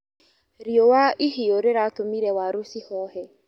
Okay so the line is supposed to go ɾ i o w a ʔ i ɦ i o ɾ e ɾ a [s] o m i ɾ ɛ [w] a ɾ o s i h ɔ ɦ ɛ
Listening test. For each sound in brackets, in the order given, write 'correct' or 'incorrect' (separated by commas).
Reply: incorrect, correct